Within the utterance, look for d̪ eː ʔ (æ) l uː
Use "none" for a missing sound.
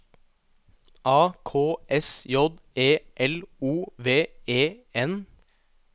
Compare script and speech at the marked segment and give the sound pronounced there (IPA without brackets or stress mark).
ɛ